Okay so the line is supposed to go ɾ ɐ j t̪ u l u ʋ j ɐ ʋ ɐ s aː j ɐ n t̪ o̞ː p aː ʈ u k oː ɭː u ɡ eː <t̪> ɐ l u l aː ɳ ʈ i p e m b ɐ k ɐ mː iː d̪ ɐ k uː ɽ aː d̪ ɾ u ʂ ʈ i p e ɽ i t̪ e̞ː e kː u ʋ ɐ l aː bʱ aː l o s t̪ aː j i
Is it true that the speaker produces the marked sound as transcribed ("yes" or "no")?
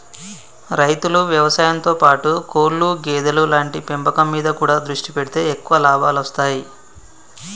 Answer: no